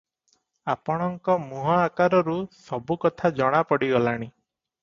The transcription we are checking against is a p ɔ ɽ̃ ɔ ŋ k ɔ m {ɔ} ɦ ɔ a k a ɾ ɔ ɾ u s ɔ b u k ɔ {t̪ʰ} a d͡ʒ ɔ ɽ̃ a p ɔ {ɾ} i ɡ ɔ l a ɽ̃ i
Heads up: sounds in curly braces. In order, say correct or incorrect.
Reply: incorrect: u, correct, incorrect: ɽ

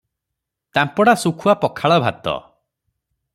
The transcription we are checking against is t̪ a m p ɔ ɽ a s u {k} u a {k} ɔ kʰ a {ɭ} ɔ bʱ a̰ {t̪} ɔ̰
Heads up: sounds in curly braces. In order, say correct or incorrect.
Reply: incorrect: kʰ, incorrect: p, correct, correct

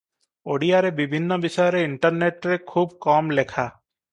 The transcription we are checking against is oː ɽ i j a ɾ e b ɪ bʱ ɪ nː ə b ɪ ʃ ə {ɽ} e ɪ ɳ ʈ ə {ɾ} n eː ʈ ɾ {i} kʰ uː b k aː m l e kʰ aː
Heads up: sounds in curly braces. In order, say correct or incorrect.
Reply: incorrect: ɾ, correct, incorrect: e

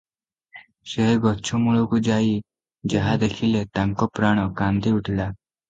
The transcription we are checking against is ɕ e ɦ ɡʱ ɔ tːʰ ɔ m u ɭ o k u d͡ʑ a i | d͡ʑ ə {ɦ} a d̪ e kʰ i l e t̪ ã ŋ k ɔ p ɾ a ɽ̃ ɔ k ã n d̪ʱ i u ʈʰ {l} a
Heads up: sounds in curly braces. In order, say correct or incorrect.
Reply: correct, correct

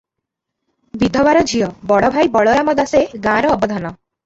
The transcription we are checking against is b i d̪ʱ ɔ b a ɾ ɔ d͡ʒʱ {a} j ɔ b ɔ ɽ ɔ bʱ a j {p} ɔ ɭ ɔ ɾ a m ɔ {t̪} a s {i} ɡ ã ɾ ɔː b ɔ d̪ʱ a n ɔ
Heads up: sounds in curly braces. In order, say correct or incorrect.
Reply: incorrect: i, incorrect: b, incorrect: d̪, incorrect: e

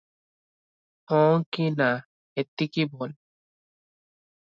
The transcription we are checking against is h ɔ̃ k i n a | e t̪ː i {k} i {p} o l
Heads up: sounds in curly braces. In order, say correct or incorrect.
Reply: correct, incorrect: b

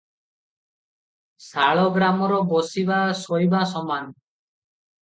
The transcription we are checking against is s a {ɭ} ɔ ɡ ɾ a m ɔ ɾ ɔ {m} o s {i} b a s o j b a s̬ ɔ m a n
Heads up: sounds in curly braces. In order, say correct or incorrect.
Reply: correct, incorrect: b, correct

